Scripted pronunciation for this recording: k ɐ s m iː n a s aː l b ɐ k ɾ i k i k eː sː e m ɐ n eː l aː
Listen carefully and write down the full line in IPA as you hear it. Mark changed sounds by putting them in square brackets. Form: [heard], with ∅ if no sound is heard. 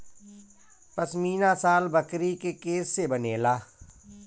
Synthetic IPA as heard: [p] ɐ s m iː n a s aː l b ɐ k ɾ i k [e] k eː sː e [b] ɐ n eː l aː